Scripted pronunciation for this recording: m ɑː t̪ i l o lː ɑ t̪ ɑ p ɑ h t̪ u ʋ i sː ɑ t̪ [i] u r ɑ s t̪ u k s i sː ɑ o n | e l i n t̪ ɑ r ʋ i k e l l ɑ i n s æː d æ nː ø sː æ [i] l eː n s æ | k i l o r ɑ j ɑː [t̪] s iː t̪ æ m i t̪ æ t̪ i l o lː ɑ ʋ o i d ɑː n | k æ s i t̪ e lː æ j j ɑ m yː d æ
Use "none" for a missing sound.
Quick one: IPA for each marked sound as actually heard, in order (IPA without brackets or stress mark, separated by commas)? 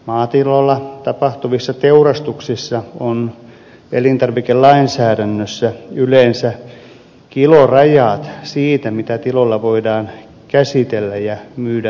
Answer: e, y, t̪